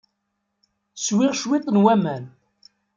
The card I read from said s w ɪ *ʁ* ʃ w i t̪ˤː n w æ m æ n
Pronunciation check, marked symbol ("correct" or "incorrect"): correct